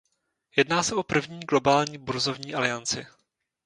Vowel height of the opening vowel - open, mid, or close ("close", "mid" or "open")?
mid